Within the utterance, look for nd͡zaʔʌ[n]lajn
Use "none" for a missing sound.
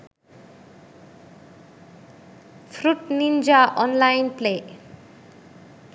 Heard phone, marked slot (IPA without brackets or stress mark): n